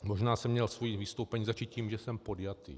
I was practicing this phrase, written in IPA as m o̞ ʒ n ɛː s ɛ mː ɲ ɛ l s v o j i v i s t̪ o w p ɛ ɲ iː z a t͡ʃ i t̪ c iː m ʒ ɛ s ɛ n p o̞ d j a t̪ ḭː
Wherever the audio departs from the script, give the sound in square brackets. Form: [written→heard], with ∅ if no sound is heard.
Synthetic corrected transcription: m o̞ ʒ n [ɛː→aː] s ɛ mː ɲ ɛ l s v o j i v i s t̪ o w p ɛ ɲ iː z a t͡ʃ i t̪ c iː m ʒ ɛ s ɛ [n→m] p o̞ d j a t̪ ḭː